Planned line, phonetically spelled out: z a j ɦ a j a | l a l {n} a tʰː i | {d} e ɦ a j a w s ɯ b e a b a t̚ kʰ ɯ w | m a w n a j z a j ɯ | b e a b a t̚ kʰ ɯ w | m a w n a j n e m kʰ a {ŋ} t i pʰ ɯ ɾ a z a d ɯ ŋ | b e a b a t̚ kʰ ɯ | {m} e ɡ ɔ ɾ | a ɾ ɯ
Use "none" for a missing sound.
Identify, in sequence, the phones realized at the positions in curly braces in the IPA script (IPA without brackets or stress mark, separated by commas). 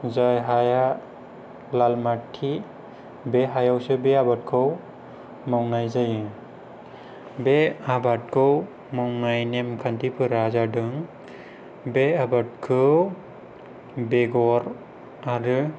m, b, n, b